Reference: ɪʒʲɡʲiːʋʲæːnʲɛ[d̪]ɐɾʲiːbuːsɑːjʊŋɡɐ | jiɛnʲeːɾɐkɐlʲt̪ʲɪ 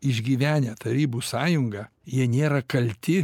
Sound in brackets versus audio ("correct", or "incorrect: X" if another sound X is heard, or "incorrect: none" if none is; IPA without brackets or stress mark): incorrect: t̪